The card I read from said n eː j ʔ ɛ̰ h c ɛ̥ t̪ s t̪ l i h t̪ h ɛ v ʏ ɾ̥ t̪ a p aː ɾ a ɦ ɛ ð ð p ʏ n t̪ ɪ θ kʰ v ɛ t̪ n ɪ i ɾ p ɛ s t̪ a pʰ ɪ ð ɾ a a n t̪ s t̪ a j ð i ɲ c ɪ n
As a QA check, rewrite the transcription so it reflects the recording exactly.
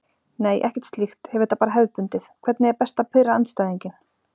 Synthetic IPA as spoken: n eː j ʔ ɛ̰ h c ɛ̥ t̪ s t̪ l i x t̪ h ɛ v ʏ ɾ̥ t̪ a p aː ɾ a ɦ ɛ ð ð p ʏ n t̪ ɪ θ kʰ v ɛ t̪ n ɪ ɛ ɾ p ɛ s t̪ a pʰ ɪ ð ɾ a a n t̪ s t̪ a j ð i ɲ c ɪ n